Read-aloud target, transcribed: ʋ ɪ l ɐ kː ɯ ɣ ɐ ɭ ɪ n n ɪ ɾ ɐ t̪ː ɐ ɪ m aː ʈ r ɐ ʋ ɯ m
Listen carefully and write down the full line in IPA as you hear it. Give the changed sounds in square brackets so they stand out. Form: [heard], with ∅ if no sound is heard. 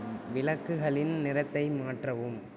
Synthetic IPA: ʋ ɪ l ɐ kː ɯ ɣ ɐ ɭ ɪ n n ɪ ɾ ɐ t̪ː ɐ ɪ m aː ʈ r ɐ ʋ ɯ m